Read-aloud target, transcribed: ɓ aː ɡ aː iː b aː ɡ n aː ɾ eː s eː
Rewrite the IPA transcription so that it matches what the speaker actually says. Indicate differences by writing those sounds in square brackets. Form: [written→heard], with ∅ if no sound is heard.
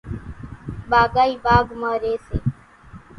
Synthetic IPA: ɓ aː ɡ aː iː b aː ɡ [n→m] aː ɾ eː s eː